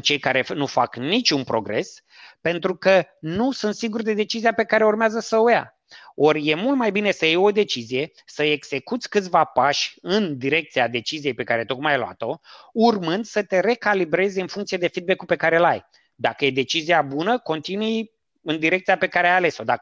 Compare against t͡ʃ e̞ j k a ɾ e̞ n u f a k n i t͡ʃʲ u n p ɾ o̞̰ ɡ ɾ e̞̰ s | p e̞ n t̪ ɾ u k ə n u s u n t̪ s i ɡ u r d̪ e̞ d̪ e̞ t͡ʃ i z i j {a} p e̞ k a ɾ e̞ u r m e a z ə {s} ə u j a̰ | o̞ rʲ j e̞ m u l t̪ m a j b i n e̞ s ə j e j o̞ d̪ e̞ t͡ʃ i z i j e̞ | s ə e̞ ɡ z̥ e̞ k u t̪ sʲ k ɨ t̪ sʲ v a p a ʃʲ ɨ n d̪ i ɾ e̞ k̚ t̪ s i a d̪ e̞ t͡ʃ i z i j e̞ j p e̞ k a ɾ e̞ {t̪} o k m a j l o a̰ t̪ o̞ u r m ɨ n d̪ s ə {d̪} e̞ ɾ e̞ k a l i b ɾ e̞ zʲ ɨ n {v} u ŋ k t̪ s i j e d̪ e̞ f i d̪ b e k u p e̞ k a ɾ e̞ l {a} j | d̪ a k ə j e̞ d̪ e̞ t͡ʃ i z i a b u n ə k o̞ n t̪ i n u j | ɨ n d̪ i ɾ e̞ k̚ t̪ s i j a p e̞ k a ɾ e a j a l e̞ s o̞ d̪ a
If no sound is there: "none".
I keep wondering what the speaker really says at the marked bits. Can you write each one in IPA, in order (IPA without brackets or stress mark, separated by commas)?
a, s, t̪, t̪, f, a